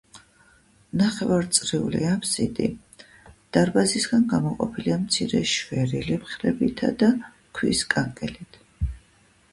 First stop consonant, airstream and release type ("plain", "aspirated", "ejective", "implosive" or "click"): plain